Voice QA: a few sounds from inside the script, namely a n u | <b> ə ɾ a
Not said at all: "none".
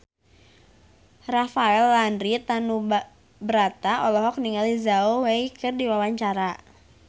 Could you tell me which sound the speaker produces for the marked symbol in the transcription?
b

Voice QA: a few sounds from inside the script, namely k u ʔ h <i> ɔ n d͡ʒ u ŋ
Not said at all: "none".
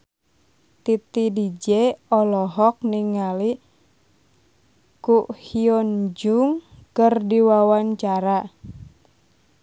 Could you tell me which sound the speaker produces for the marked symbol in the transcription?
i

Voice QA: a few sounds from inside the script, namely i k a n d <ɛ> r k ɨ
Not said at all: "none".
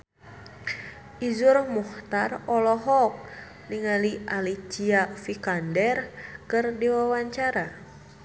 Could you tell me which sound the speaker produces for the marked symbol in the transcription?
ɛ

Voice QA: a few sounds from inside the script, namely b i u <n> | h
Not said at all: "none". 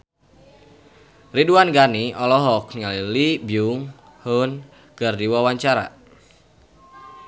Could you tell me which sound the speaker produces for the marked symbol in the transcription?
ŋ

